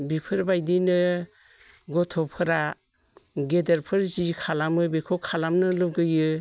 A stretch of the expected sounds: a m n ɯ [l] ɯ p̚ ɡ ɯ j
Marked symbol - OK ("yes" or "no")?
yes